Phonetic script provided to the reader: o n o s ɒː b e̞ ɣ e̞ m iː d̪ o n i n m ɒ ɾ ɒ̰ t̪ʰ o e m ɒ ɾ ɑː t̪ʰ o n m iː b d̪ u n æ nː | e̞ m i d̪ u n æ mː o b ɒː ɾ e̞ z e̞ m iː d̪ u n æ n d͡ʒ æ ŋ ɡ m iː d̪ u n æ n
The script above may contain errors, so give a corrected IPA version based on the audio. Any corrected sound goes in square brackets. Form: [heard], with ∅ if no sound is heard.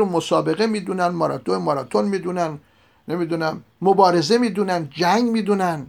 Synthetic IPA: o [m] o s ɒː b e̞ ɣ e̞ m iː d̪ [u] n [æ] n m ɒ ɾ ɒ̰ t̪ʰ o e m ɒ ɾ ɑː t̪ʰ o n m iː [∅] d̪ u n æ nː | e̞ m i d̪ u n æ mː o b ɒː ɾ e̞ z e̞ m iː d̪ u n æ n d͡ʒ æ ŋ ɡ m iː d̪ u n æ n